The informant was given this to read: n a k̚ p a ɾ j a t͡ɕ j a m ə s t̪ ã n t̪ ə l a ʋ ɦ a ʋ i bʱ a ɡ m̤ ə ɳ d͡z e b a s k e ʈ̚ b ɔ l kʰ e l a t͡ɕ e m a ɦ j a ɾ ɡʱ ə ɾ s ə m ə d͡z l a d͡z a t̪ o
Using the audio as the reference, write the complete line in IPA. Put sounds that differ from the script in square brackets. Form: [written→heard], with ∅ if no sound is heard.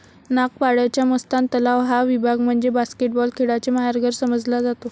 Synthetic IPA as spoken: n a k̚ p a [ɾ→ɽ] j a t͡ɕ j a m ə s t̪ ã n t̪ ə l a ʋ ɦ a ʋ i bʱ a ɡ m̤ ə ɳ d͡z e b a s k e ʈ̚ b ɔ l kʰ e [l→ɽ] a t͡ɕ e m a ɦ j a ɾ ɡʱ ə ɾ s ə m ə d͡z l a d͡z a t̪ o